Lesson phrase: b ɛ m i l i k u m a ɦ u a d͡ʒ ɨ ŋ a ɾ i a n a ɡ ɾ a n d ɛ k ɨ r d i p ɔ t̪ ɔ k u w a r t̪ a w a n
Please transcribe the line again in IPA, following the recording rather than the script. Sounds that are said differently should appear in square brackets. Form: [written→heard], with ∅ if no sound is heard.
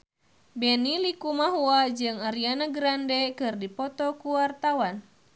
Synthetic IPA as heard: b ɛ [m→n] i l i k u m a ɦ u a d͡ʒ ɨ ŋ a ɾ i a n a ɡ ɾ a n d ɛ k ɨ r d i p ɔ t̪ ɔ k u w a r t̪ a w a n